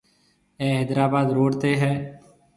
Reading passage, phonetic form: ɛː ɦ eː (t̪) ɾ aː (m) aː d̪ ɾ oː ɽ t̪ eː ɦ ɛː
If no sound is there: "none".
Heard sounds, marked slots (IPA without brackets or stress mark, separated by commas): d̪, b